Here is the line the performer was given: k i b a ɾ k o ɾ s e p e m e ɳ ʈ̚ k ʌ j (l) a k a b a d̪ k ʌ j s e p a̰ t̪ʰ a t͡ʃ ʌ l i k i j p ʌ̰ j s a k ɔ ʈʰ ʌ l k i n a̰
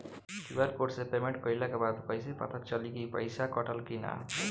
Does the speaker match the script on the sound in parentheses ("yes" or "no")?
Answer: yes